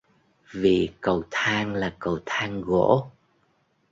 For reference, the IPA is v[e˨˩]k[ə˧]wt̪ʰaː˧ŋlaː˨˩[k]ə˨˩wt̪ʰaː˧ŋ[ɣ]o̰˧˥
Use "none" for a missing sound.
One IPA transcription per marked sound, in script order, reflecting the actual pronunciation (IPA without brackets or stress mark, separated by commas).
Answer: i˨˩, ə˨˩, k, ɣ